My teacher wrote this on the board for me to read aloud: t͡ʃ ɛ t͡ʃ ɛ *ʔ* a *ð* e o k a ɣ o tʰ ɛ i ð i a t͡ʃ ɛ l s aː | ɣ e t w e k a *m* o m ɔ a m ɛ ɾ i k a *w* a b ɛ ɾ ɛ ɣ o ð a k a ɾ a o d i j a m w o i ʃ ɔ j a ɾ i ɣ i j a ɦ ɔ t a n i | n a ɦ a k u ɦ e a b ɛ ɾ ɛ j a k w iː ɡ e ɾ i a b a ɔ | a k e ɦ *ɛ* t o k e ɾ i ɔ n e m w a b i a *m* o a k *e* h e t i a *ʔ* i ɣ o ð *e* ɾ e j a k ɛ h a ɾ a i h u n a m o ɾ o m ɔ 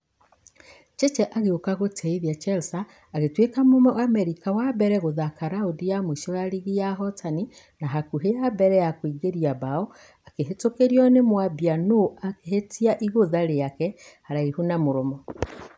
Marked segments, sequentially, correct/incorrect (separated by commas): correct, incorrect, correct, correct, incorrect, incorrect, correct, correct, incorrect